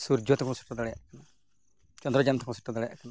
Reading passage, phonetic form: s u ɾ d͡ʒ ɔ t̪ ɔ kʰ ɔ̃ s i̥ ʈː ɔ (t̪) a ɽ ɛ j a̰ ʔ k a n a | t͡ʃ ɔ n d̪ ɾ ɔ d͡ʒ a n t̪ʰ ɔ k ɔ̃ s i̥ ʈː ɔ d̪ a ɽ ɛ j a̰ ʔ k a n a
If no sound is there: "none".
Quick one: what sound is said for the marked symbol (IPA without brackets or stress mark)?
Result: d̪